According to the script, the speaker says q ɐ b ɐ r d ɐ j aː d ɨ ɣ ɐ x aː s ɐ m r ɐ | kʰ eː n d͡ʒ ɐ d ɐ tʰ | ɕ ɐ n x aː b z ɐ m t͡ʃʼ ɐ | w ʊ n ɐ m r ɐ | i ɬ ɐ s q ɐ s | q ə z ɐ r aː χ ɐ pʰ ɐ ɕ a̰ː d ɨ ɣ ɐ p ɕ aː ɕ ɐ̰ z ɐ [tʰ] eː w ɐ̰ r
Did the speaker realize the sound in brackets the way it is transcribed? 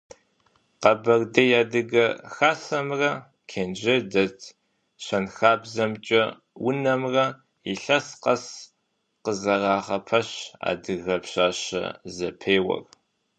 no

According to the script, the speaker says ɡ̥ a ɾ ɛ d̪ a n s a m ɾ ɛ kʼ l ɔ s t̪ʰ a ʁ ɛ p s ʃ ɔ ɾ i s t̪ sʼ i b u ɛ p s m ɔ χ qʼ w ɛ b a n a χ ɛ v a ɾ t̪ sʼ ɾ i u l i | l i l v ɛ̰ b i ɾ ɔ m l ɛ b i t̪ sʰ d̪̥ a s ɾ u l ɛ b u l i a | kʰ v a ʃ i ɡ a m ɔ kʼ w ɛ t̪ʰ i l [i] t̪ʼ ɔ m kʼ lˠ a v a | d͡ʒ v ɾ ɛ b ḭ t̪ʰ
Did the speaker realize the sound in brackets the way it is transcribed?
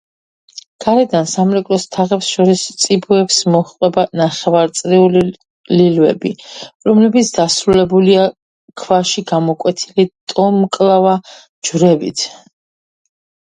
yes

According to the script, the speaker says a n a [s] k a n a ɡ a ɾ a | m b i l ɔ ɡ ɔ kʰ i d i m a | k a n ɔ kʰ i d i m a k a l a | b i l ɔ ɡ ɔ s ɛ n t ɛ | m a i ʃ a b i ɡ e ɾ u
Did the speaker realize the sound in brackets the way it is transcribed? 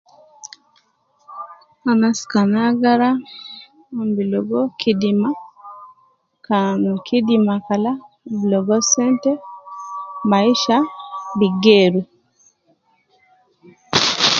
yes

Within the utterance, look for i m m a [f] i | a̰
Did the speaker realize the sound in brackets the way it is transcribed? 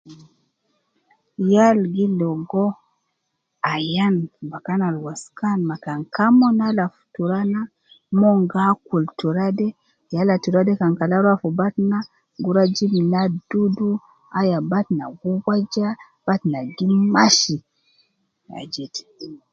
no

